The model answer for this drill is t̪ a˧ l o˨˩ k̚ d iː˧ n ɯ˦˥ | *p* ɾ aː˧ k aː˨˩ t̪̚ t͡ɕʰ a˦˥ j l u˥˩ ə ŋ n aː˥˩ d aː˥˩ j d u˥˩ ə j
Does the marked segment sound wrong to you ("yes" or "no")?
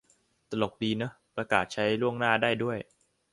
no